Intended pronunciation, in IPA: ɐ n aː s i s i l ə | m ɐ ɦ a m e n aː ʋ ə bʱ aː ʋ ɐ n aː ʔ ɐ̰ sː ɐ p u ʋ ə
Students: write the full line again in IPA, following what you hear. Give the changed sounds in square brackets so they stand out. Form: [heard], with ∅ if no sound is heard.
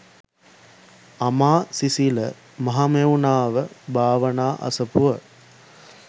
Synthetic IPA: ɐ [m] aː s i s i l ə | m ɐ ɦ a m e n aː ʋ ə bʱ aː ʋ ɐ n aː ʔ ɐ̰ [s] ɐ p u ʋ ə